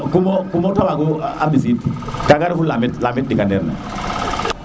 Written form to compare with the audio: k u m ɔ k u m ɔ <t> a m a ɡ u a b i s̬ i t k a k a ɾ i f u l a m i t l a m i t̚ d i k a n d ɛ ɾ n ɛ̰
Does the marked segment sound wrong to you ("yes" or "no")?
no